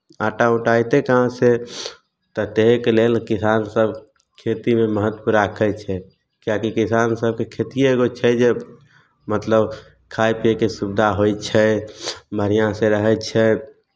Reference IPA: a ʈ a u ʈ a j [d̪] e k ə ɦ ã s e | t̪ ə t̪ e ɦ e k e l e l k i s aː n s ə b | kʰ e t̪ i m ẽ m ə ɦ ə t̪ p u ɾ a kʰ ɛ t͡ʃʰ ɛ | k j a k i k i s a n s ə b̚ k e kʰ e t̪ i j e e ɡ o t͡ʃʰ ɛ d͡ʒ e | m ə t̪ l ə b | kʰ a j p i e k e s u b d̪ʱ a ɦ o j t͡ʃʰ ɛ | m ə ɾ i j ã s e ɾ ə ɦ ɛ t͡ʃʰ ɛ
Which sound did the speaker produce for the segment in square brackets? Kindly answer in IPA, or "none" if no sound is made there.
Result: t̪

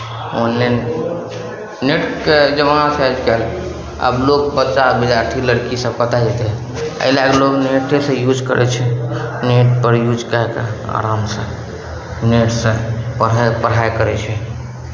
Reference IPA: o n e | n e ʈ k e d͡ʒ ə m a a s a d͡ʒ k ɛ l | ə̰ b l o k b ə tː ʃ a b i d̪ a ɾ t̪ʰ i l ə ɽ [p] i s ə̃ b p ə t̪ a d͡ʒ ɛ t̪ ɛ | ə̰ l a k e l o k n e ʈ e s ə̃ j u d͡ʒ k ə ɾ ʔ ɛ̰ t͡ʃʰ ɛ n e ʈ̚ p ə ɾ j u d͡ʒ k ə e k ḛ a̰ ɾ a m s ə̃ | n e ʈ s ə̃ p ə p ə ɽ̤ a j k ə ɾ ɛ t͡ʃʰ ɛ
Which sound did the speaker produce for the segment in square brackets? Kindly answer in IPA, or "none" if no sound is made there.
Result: k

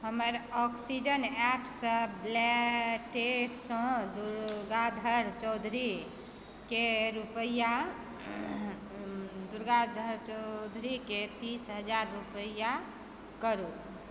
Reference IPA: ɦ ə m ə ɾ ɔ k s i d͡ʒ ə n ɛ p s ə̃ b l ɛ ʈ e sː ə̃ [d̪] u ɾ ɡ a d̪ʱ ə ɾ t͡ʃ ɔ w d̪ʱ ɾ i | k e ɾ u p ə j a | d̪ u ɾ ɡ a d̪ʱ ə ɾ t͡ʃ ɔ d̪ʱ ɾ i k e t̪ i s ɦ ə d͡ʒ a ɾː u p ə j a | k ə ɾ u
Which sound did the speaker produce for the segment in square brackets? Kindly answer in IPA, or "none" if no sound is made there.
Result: d̪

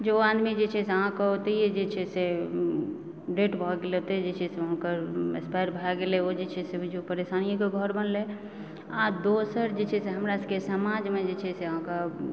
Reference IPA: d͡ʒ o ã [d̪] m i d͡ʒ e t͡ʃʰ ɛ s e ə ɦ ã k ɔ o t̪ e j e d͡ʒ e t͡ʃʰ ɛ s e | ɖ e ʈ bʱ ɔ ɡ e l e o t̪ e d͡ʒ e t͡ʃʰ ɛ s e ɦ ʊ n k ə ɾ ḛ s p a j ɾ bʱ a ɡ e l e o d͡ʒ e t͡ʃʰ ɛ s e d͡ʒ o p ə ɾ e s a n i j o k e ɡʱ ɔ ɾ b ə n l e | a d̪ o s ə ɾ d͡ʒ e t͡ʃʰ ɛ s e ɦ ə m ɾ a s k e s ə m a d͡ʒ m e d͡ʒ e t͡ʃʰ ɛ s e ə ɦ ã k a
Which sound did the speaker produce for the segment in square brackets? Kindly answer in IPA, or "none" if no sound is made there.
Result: d̪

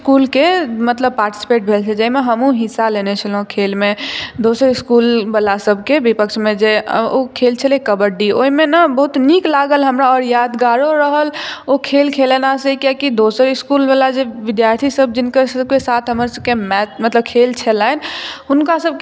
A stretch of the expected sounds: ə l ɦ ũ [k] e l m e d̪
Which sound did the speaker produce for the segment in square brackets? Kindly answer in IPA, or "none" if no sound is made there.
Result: kʰ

